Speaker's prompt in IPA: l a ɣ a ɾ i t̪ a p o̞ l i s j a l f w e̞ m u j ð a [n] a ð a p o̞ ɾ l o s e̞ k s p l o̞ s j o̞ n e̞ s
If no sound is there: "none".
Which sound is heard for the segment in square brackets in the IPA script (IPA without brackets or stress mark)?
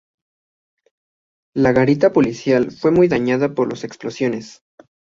ɲ